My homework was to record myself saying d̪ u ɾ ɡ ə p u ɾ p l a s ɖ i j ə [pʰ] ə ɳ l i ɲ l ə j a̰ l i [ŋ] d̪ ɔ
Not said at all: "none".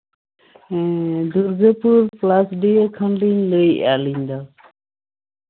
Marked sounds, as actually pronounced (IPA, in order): kʰ, ɲ

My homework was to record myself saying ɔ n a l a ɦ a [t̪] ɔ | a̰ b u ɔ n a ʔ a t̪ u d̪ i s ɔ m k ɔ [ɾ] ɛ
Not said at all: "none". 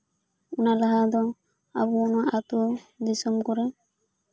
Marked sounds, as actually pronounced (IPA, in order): d̪, ɾ

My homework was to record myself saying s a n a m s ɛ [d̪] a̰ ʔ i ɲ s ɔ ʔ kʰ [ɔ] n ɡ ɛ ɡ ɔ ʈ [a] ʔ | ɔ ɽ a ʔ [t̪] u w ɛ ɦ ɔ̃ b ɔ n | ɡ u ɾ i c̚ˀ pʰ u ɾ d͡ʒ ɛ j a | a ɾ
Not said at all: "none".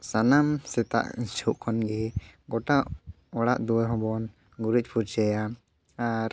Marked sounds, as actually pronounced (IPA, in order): t̪, ɔ, a, d̪

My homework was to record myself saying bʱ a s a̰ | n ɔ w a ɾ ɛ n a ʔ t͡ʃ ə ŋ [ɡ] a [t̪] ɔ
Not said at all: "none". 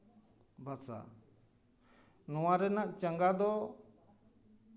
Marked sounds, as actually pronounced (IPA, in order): ɡ, d̪

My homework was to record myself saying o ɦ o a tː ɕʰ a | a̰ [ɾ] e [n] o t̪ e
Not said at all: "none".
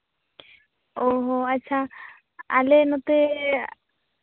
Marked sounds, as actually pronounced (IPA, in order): l, n

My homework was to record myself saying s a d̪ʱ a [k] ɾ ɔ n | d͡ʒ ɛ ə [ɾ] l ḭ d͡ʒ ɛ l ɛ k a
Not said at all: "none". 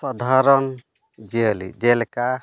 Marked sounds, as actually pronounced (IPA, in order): none, none

